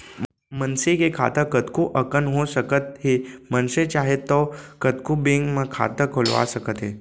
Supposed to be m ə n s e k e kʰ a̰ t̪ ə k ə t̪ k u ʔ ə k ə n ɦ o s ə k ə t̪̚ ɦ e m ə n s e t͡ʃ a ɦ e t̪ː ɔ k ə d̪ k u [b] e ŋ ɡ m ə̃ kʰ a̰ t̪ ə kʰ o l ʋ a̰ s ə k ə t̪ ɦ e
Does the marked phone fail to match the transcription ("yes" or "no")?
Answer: no